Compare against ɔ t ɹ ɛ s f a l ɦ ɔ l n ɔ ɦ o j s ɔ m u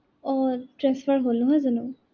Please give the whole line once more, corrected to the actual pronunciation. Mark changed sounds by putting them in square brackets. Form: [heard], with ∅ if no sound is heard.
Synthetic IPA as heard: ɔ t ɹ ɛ s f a [ɹ] ɦ [o] l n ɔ ɦ [ɔ] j [z] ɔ [n] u